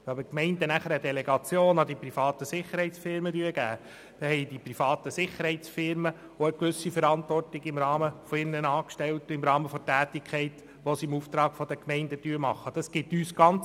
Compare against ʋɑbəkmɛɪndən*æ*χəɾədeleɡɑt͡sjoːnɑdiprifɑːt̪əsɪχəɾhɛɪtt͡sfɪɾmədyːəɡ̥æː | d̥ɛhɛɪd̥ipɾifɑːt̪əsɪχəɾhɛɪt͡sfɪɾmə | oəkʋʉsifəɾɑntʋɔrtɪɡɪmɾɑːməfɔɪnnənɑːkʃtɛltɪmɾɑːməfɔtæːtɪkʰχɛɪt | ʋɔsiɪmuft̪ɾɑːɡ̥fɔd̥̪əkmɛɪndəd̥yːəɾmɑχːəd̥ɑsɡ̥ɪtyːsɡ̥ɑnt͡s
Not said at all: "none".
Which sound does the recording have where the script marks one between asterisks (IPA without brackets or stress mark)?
æ